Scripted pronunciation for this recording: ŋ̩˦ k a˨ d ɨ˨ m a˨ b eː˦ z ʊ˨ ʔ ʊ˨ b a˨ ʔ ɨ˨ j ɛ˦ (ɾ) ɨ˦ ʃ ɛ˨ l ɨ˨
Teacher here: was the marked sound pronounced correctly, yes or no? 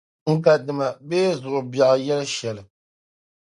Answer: no